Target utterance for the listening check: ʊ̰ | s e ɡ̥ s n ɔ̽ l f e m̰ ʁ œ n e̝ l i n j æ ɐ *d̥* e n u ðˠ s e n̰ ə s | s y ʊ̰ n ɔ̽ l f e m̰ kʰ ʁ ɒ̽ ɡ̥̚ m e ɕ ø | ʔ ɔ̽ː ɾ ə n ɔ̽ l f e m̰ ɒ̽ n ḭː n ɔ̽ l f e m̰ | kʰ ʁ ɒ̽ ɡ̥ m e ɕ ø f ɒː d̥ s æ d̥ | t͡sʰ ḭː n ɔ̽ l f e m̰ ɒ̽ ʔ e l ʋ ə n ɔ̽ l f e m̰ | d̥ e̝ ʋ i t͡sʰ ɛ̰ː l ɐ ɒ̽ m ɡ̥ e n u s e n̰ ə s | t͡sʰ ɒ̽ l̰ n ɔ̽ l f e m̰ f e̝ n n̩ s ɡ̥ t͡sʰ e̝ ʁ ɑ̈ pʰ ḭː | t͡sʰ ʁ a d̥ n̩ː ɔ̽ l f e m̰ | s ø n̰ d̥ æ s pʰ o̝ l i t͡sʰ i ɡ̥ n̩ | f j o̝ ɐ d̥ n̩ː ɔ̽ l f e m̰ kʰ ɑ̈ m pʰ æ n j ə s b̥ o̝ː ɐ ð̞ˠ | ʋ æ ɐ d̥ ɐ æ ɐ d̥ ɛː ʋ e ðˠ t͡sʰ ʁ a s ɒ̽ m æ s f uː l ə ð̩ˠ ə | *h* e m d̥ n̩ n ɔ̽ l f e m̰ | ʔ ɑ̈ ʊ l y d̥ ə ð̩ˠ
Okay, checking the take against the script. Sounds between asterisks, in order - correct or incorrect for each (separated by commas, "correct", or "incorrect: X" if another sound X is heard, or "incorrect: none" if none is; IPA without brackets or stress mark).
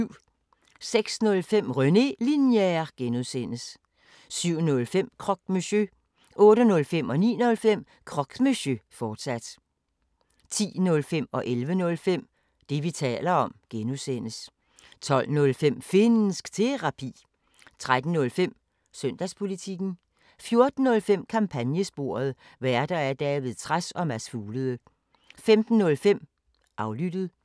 incorrect: ɡ̥, incorrect: f